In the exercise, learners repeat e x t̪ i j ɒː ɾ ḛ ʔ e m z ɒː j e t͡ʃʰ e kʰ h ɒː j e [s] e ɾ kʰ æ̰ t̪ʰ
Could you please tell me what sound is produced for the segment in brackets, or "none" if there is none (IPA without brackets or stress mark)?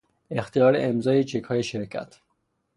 ʃ